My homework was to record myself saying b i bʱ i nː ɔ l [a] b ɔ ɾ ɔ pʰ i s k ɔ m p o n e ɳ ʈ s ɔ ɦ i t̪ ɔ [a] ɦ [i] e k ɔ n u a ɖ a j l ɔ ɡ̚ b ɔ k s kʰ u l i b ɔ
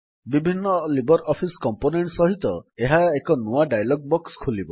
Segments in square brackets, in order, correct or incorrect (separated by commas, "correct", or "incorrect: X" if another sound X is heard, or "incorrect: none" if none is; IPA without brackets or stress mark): incorrect: i, incorrect: e, incorrect: a